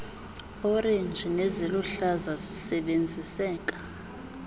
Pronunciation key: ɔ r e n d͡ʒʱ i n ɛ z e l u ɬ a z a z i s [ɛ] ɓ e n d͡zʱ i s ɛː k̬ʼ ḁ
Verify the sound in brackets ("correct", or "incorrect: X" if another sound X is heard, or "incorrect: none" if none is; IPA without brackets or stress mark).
correct